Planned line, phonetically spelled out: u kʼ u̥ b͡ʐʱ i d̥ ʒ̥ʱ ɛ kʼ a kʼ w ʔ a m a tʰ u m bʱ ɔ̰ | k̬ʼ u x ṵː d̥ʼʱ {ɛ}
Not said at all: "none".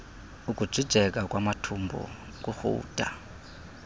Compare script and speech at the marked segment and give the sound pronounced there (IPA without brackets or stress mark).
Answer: a